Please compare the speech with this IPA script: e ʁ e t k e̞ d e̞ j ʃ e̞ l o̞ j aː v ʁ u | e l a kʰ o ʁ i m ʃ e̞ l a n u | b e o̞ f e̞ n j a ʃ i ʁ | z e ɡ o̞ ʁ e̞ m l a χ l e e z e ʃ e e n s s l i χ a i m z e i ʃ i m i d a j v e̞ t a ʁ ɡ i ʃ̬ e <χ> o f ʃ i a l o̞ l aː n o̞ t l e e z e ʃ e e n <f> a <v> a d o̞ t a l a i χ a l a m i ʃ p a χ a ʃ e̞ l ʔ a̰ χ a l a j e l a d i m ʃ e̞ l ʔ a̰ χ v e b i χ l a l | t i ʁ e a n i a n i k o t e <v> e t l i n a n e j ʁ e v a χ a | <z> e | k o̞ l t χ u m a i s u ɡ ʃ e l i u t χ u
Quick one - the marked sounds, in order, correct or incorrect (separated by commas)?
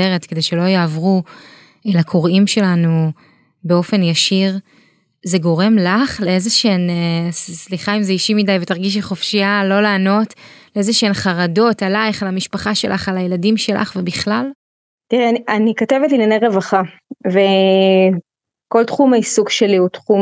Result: correct, incorrect, incorrect, correct, incorrect